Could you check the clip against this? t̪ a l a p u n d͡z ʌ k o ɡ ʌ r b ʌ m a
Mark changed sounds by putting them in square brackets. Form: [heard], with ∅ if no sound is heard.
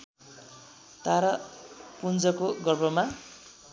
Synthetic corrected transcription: t̪ a [ɾ] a p u n d͡z ʌ k o ɡ ʌ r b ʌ m a

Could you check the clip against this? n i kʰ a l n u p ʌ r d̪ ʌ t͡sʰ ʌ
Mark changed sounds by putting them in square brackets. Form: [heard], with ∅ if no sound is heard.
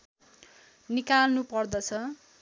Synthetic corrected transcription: n i [k] a l n u p ʌ r d̪ ʌ t͡sʰ ʌ

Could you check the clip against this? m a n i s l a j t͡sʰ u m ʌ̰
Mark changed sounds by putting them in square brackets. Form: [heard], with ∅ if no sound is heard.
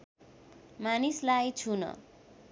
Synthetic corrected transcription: m a n i s l a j t͡sʰ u [n] ʌ̰

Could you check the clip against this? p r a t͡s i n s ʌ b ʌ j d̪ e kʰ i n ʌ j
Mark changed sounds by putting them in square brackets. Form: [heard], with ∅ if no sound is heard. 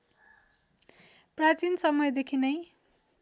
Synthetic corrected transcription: p r a t͡s i n s ʌ [m] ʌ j d̪ e kʰ i n ʌ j

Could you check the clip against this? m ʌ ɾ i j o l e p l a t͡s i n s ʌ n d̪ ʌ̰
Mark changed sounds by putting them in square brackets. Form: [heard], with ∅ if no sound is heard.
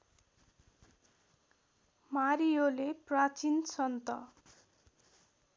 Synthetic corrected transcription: m [a] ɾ i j o l e p [r] a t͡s i n s ʌ n [t̪] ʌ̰

